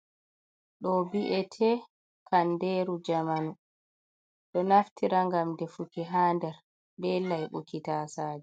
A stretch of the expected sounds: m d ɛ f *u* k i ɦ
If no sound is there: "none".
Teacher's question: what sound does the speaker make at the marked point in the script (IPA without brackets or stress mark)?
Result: u